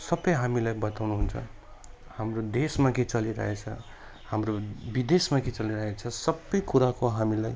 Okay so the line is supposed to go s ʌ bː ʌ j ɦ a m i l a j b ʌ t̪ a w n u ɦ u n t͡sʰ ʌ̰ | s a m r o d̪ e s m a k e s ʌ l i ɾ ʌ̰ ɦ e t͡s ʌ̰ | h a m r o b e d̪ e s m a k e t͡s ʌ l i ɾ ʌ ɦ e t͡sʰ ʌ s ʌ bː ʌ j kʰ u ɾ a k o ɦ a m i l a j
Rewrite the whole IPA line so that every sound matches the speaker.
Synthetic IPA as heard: s ʌ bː ʌ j ɦ a m i l a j b ʌ t̪ a w n u ɦ u n t͡sʰ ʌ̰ | h a m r o d̪ e s m a k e t͡s ʌ l i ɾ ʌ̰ ɦ e t͡sʰ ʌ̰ | h a m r o b i d̪ e s m a k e t͡s ʌ l i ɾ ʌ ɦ e t͡sʰ ʌ s ʌ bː ʌ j k u ɾ a k o ɦ a m i l a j